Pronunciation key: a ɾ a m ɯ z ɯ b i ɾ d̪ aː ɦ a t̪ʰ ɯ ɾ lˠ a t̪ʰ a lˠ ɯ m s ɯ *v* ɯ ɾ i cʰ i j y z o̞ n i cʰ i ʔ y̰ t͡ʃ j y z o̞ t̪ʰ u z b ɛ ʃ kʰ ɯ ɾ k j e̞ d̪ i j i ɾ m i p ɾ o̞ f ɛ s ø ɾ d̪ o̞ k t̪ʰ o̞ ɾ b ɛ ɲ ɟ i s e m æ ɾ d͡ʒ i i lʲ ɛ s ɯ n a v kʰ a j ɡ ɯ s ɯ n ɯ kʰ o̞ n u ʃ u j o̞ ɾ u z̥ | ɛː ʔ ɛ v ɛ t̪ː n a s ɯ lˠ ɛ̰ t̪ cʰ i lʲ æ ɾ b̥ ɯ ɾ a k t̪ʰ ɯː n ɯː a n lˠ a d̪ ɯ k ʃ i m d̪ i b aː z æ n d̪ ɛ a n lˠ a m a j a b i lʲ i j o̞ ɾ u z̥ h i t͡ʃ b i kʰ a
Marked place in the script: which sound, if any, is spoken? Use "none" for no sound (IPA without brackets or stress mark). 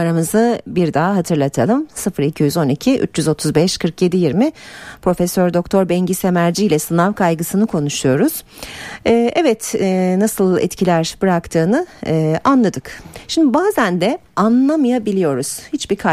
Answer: f